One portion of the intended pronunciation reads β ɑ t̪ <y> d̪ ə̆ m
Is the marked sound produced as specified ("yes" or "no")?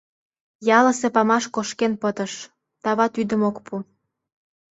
yes